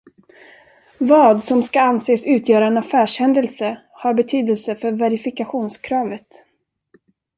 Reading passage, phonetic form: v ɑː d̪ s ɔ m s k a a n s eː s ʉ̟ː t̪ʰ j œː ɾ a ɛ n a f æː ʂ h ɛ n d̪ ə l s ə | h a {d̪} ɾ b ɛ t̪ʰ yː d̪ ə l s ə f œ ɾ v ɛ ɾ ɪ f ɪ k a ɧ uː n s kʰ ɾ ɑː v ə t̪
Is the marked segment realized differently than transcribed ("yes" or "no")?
yes